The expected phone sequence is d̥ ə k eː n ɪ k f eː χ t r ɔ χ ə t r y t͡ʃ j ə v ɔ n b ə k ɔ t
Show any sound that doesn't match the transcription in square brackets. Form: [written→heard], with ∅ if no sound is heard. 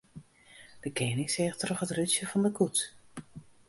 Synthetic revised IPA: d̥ ə k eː n ɪ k [f→s] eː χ t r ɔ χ ə t r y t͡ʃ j ə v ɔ n [b→d] ə k [ɔ→u] t